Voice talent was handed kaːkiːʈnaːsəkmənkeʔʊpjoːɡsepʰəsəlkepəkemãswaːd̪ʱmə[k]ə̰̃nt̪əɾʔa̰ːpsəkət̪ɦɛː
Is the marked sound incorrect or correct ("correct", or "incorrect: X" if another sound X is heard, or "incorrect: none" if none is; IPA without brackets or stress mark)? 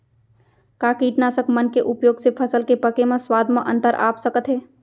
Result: incorrect: ʔ